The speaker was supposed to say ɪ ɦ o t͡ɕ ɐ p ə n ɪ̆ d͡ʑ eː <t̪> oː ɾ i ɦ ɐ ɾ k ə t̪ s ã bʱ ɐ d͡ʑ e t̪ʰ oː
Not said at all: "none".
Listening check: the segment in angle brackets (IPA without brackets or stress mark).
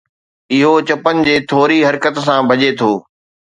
t̪ʰ